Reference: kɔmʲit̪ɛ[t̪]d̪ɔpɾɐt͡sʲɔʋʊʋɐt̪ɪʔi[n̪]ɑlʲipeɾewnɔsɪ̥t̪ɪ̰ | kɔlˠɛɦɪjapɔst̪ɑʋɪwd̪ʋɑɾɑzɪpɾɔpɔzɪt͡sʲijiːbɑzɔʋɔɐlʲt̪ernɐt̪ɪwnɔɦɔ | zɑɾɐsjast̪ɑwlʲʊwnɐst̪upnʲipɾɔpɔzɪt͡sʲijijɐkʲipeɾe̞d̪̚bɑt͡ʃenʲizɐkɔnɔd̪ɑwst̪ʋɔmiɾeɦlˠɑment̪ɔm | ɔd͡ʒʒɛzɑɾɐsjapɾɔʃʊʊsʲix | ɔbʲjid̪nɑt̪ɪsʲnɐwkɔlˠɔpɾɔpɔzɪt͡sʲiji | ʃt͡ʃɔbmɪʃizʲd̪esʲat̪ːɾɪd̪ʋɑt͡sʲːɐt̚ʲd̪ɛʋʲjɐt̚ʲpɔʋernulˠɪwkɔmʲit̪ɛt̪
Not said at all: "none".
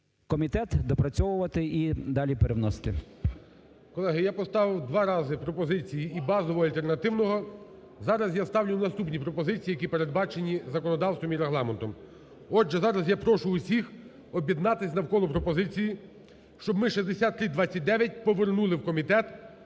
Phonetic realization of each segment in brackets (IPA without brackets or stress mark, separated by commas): t̪, d̪